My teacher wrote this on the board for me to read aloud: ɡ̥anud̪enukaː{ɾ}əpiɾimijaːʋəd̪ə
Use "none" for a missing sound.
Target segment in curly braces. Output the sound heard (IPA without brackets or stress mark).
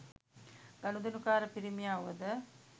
ɾ